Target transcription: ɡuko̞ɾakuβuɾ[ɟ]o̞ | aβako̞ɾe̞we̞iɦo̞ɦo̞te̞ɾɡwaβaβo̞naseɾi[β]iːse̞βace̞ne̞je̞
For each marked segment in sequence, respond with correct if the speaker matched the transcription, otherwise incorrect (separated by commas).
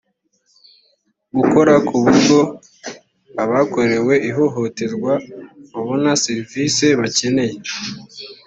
incorrect, incorrect